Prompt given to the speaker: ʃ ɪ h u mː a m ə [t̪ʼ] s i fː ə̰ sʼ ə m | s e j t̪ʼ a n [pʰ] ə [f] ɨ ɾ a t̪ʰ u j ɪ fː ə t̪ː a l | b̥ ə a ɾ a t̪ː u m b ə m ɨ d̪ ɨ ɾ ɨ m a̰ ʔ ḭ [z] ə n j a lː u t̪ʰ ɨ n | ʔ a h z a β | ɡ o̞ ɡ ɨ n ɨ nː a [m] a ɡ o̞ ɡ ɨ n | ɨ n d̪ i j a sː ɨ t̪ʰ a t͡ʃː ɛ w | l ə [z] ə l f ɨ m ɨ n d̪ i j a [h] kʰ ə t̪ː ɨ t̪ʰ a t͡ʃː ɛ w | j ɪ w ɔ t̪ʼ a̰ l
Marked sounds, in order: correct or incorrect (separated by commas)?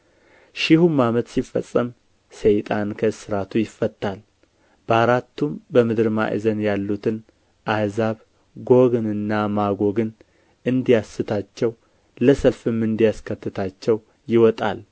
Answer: incorrect, incorrect, incorrect, correct, correct, incorrect, incorrect